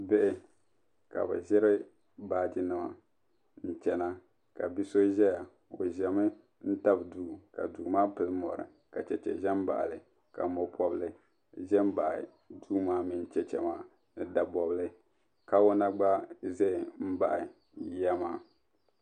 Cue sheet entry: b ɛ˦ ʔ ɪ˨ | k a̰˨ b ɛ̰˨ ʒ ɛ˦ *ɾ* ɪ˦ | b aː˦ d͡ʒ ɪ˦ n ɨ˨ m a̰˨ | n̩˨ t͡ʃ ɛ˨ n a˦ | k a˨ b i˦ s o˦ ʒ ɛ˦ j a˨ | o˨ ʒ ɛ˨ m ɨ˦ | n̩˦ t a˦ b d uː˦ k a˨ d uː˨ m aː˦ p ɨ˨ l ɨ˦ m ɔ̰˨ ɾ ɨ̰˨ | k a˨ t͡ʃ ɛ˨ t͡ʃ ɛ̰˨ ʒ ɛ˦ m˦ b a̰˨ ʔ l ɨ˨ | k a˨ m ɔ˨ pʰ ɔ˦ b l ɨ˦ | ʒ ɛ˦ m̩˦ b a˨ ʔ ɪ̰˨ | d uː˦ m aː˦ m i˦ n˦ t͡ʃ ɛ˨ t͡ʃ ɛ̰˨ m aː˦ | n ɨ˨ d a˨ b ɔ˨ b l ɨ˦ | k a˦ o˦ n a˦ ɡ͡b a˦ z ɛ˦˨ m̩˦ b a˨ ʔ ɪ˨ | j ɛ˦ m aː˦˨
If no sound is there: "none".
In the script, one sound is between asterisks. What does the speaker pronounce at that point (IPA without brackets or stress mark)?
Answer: ɾ